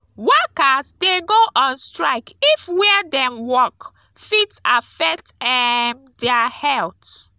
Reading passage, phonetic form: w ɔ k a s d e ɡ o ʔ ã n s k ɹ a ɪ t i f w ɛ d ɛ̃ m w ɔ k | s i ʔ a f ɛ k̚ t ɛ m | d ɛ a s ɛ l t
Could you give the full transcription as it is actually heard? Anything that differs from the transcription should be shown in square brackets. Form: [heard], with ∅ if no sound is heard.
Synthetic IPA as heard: w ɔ k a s d e ɡ o ʔ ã n s [t] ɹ a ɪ [k] i f w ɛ d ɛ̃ m w ɔ k | [f] i [t] a f ɛ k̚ t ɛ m | d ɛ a [h] ɛ l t